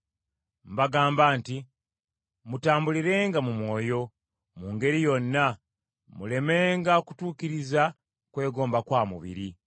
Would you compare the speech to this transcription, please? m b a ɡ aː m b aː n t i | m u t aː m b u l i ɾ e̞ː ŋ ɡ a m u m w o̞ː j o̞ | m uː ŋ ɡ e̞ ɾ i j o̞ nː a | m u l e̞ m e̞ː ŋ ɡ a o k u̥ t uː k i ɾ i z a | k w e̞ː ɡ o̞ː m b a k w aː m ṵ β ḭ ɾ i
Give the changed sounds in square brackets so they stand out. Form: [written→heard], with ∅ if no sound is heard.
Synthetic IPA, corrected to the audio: m b a ɡ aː m b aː n t i | m u t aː m b u l i ɾ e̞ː ŋ ɡ a m u m w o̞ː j o̞ | m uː ŋ ɡ e̞ ɾ i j o̞ nː a | m u l e̞ m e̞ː ŋ ɡ a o k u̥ t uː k i ɾ i z a | k w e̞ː ɡ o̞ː m b a k w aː m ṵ β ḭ ɾ i

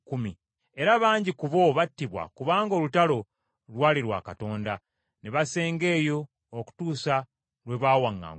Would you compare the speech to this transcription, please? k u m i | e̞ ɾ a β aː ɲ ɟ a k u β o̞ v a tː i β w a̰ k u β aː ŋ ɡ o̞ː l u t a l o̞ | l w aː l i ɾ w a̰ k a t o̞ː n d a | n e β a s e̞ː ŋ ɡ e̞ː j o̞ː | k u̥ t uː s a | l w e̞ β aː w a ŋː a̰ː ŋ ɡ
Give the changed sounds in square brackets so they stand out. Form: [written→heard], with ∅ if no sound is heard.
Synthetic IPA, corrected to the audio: k u m i | e̞ ɾ a β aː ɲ ɟ [a→i] k u β o̞ [v→β] a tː i β w a̰ k u β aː ŋ ɡ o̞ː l u t a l o̞ | l w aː l i ɾ w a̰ k a t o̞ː n d a | n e β a s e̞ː ŋ ɡ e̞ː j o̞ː | k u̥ t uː s a | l w e̞ β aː w a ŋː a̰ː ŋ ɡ

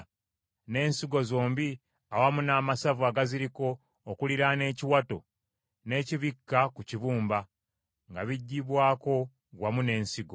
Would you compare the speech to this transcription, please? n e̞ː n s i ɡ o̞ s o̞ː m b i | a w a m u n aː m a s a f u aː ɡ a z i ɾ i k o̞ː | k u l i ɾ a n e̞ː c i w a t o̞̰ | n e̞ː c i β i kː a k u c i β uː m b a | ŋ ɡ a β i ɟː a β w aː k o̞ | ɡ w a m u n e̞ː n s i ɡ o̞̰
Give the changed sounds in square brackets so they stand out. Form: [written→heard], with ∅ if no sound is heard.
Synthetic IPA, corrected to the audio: n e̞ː n s i ɡ o̞ [s→z] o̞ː m b i | a w a m u n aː m a s a [f→v] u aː ɡ a z i ɾ i k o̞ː | k u l i ɾ a n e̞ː c i w a t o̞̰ | n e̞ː c i β i kː a k u c i β uː m b a | ŋ ɡ a β i ɟː [a→i] β w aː k o̞ | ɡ w a m u n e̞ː n s i ɡ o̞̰

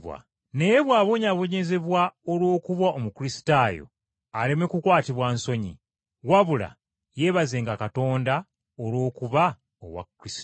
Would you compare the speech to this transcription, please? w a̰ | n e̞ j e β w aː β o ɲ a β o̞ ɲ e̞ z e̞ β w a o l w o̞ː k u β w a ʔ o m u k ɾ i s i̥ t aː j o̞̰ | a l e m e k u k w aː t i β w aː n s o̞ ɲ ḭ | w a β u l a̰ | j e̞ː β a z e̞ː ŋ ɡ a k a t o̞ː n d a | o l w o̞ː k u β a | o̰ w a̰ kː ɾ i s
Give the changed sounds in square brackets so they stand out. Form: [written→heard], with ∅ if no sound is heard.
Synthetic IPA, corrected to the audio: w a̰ | n e̞ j e β w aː β o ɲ a β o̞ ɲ e̞ z e̞ β w a o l w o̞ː k u β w a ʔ o m u k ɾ i s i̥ t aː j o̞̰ | a l e m e k u k w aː t i β w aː n s o̞ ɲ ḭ | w a β u l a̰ | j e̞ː β a z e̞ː ŋ ɡ a k a t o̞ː n d a | o l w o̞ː k u β a | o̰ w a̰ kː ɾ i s

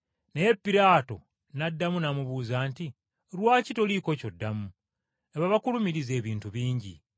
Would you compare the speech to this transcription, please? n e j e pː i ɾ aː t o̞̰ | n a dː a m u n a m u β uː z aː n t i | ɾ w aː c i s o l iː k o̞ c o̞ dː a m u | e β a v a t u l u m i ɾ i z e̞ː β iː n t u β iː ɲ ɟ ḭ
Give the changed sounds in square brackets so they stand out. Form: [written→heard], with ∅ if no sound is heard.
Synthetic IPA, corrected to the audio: n e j e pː i ɾ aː t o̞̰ | n a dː a m u n a m u β uː z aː n t i | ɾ w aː c i [s→t] o l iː k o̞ c o̞ dː a m u | e β a [v→β] a [t→k] u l u m i ɾ i z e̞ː β iː n t u β iː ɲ ɟ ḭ

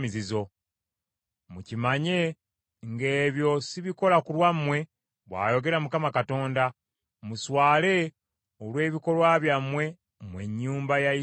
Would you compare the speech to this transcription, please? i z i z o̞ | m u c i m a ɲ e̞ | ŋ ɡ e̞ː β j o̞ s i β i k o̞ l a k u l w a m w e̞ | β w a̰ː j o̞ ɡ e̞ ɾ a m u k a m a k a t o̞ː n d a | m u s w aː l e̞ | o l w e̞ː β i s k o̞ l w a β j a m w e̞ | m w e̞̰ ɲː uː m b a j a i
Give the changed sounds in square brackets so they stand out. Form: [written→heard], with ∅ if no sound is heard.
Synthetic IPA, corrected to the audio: i z i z o̞ | m u c i m a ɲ e̞ | ŋ ɡ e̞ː β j o̞ s i β i k o̞ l a k u l w a m w e̞ | β w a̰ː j o̞ ɡ e̞ ɾ a m u k a m a k a t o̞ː n d a | m u s w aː l e̞ | o l w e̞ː β i [s→∅] k o̞ l w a β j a m w e̞ | m w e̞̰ ɲː uː m b a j a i

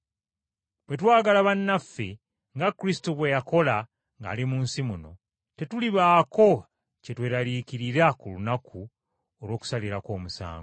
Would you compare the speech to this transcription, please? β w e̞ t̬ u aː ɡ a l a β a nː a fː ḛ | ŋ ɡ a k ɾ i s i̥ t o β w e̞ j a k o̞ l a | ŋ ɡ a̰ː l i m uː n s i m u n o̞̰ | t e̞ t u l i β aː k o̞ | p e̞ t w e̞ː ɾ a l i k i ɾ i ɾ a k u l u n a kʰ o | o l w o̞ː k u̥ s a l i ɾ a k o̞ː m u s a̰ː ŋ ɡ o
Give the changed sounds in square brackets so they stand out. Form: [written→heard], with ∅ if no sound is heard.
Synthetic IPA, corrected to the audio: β w e̞ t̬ [u→w] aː ɡ a l a β a nː a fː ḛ | ŋ ɡ a k ɾ i s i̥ t o β w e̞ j a k o̞ l a | ŋ ɡ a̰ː l i m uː n s i m u n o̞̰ | t e̞ t u l i β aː k o̞ | [p→c] e̞ t w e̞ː ɾ a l i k i ɾ i ɾ a k u l u n a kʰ [o→u] | o l w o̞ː k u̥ s a l i ɾ a k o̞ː m u s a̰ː ŋ ɡ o

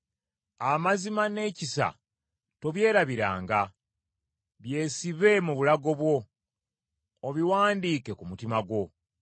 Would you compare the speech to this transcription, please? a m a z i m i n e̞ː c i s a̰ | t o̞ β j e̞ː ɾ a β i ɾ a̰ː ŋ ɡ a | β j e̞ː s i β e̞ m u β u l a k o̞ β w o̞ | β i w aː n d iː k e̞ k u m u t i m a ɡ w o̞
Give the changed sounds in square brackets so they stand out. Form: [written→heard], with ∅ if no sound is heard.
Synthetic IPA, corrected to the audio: a m a z i m [i→a] n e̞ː c i s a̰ | t o̞ β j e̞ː ɾ a β i ɾ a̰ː ŋ ɡ a | β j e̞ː s i β e̞ m u β u l a [k→ɡ] o̞ β w o̞ | β i w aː n d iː k e̞ k u m u t i m a ɡ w o̞

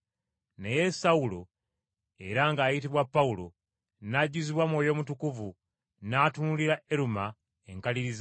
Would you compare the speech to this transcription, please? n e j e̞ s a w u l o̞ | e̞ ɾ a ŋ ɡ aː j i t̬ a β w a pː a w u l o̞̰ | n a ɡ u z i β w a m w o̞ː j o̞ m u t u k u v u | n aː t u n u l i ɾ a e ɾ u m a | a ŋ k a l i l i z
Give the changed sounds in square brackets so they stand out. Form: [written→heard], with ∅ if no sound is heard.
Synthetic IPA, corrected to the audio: n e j e̞ s a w u l o̞ | e̞ ɾ a ŋ ɡ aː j i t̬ [a→i] β w a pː a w u l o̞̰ | n a [ɡ→ɟ] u z i β w a m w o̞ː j o̞ m u t u k u v u | n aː t u n u l i ɾ a e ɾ u m a | [a→e] ŋ k a l i [l→ɾ] i z

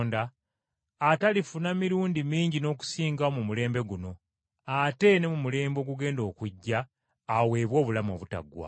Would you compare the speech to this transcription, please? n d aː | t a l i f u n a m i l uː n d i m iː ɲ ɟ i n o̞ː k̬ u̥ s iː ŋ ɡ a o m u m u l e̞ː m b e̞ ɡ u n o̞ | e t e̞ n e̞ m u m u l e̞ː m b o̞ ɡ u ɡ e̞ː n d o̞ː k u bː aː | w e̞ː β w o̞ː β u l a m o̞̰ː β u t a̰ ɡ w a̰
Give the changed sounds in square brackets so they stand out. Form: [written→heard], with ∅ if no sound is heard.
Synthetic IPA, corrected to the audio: n d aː | t a l i f u n a m i [l→ɾ] uː n d i m iː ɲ ɟ i n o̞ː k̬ u̥ s iː ŋ ɡ a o m u m u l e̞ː m b e̞ ɡ u n o̞ | [e→a] t e̞ n e̞ m u m u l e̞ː m b o̞ ɡ u ɡ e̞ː n d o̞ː k u [bː→ɟː] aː | w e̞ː β w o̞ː β u l a m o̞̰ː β u t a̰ ɡ w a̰

